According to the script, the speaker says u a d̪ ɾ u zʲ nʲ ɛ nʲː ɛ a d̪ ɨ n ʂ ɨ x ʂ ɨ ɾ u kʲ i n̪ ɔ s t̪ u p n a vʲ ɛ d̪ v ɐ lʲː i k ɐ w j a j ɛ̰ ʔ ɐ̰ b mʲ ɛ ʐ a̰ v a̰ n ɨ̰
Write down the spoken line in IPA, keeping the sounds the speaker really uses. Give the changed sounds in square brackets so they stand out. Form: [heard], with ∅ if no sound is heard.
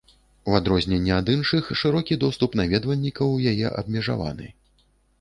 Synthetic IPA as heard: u a d̪ ɾ [ɔ] zʲ nʲ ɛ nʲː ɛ a d̪ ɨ n ʂ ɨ x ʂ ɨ ɾ [ɔ] kʲ i [d̪] ɔ s t̪ u p n a vʲ ɛ d̪ v ɐ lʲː i k ɐ w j a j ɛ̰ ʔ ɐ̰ b mʲ ɛ ʐ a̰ v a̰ n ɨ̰